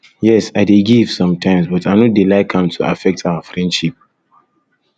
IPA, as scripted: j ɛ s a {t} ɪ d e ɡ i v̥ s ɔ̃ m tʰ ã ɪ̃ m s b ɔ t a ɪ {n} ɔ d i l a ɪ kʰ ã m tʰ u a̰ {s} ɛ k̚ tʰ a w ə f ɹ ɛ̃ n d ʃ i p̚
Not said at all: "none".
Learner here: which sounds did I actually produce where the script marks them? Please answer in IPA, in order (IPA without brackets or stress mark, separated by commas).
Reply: none, n, f